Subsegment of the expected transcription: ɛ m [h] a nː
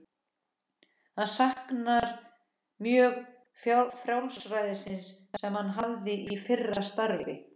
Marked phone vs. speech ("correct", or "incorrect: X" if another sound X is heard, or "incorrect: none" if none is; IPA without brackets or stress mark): correct